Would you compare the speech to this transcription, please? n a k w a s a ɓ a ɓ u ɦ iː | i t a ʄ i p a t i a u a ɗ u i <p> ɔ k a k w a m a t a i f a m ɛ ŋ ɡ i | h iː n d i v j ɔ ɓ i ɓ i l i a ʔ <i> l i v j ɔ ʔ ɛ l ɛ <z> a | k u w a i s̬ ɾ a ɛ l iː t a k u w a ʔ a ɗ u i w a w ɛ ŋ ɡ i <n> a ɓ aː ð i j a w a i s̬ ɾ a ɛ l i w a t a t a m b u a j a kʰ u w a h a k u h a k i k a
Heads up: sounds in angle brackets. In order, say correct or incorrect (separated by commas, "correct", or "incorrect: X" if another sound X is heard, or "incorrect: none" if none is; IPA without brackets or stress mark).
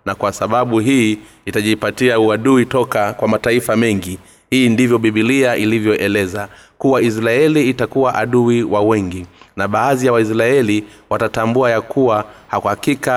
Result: incorrect: t, correct, correct, correct